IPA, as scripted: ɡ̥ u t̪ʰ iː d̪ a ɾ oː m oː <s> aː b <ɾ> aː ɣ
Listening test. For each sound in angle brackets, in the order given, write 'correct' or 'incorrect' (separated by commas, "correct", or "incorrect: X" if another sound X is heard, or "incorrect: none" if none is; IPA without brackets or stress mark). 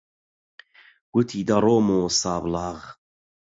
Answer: correct, incorrect: l